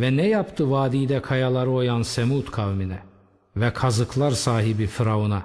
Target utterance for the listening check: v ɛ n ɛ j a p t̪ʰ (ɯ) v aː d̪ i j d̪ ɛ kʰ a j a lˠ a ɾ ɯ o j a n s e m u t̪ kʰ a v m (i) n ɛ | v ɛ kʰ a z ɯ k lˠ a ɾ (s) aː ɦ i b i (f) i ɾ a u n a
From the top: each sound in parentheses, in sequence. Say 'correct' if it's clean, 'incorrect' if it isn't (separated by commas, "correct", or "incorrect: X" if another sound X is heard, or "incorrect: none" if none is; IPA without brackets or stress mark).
correct, correct, correct, correct